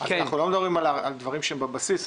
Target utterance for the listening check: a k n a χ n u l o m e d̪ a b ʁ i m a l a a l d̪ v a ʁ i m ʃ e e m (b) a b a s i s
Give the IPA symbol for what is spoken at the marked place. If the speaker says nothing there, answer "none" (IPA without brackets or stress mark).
b